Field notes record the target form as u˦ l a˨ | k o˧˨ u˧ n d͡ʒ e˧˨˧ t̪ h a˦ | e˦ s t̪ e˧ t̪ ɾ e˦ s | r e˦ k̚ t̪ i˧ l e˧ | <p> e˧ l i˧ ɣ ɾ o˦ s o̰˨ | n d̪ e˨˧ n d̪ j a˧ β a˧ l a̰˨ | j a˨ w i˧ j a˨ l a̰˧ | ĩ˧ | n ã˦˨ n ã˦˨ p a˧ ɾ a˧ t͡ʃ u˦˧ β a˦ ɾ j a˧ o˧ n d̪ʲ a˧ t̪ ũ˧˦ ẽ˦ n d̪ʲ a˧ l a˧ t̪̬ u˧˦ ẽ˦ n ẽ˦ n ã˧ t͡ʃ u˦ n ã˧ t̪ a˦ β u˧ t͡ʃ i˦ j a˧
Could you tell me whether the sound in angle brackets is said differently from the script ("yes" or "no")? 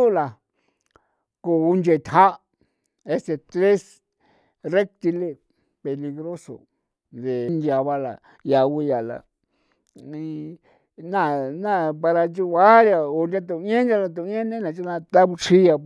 no